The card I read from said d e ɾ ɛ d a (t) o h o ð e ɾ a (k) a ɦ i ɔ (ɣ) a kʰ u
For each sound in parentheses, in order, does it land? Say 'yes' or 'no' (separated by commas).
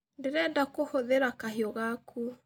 no, yes, yes